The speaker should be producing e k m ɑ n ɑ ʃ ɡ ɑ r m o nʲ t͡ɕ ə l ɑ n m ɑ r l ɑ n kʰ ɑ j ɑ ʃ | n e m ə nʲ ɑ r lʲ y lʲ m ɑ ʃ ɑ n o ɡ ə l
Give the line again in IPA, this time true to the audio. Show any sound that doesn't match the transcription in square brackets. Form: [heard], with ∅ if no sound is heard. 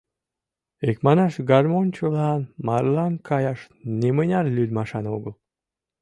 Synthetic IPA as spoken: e k m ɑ n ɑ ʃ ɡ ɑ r m o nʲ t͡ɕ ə l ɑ n m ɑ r l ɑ n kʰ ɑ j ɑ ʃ | n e m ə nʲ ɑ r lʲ y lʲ m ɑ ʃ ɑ n o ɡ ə l